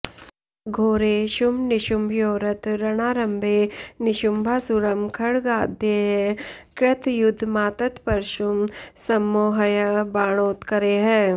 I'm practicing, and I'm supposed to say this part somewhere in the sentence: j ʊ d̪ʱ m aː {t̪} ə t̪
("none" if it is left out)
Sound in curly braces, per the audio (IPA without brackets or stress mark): t̪